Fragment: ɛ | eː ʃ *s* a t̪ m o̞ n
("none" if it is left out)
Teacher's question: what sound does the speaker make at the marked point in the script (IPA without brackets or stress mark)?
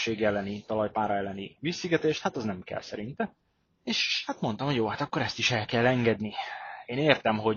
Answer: h